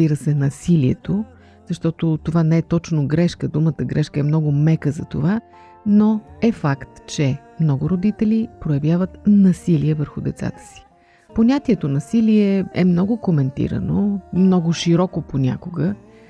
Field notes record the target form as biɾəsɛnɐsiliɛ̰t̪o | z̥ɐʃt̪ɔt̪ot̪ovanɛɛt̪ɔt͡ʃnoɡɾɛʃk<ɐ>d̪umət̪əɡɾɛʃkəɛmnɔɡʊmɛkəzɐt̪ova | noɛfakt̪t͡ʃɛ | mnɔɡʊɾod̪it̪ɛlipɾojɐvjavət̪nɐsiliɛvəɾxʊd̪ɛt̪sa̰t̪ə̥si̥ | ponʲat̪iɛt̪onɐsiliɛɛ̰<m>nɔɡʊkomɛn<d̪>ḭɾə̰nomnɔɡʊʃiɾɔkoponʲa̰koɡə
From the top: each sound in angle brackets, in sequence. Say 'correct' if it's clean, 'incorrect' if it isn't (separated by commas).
incorrect, correct, incorrect